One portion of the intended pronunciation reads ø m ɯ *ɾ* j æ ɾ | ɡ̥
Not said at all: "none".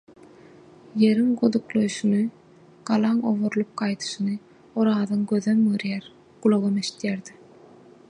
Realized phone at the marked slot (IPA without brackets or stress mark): ɾ